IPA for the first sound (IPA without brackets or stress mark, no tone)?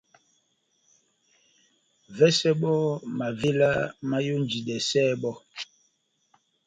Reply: v